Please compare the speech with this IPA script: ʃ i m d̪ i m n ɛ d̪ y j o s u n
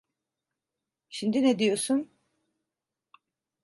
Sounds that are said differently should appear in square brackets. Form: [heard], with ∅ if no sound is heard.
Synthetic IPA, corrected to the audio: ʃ i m d̪ i [∅] n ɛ d̪ [i] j o s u n